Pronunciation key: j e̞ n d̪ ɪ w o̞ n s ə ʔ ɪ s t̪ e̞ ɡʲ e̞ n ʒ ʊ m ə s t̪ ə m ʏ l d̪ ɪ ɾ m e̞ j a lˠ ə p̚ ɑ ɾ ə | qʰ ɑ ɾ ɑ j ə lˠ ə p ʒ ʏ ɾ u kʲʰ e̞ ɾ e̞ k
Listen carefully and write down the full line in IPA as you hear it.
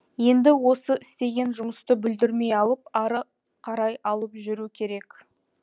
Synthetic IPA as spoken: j e̞ n d̪ ɪ w o̞ s ə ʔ ɪ s t̪ e̞ ɡʲ e̞ n ʒ ʊ m ə s t̪ ə b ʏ l d̪ ɪ ɾ m e̞ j ɑ lˠ ə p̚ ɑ ɾ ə | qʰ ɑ ɾ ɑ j ɑ lˠ ə p ʒ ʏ ɾ u kʲʰ e̞ ɾ e̞ k